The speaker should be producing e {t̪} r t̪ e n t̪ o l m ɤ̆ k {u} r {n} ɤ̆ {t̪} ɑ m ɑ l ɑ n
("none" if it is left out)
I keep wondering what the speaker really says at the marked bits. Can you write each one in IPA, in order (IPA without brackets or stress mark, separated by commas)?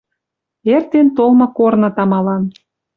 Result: none, o, n, t̪